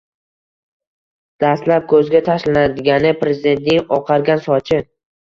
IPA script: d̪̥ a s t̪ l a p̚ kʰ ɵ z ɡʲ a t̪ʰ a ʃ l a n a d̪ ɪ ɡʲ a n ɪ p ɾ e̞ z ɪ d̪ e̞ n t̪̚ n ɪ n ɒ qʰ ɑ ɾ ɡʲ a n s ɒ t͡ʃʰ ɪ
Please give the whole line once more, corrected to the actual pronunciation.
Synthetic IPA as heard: d̪̥ a s t̪ l a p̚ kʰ ɵ z ɡʲ a t̪ʰ a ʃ l a n a d̪ ɪ ɡʲ a n ɪ p ɾ e̞ z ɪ d̪ e̞ n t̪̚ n ɪ ŋ ɒ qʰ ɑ ɾ ɡʲ a n s ɒ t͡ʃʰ ɪ